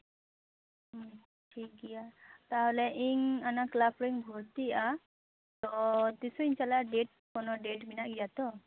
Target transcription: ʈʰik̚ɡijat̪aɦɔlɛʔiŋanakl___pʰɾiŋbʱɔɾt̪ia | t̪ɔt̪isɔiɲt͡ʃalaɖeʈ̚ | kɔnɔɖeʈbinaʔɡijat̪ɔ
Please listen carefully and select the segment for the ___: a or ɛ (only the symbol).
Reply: a